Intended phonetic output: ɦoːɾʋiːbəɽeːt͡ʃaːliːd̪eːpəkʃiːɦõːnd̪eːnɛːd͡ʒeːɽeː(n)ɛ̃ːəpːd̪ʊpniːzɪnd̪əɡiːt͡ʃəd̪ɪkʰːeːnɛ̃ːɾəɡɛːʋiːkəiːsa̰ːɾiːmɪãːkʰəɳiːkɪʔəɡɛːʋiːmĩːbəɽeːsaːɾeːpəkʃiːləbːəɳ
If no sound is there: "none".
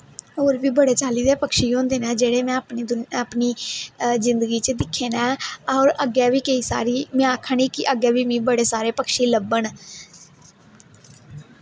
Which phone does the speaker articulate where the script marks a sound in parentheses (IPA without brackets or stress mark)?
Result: m